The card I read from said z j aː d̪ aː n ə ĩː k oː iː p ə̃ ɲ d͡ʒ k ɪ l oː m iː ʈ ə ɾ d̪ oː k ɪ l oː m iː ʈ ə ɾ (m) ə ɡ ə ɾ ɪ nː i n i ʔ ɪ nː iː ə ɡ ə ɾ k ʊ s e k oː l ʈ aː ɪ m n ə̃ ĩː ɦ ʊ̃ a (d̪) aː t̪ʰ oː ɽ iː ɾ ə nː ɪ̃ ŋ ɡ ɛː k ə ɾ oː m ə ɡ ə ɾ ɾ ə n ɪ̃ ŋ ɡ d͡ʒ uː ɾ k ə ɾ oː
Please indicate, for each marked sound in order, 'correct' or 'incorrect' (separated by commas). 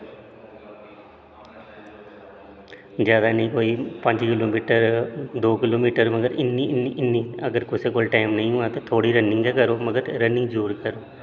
correct, incorrect